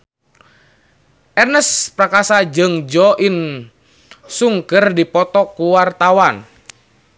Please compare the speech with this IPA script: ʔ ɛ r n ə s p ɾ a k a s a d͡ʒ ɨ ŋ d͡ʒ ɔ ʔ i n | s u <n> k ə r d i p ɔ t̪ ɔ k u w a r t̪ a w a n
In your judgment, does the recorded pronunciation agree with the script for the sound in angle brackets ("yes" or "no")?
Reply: no